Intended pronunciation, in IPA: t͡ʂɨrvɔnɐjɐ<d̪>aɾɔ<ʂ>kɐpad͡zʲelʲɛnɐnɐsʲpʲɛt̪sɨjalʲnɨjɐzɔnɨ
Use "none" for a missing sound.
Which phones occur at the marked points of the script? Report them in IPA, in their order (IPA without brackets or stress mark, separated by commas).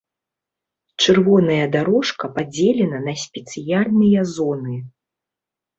d̪, ʂ